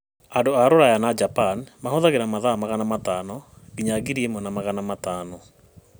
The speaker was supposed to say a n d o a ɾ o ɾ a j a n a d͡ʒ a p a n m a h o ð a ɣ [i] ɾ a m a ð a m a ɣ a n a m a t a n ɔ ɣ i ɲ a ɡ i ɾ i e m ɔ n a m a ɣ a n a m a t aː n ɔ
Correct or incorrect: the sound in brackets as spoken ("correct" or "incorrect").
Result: incorrect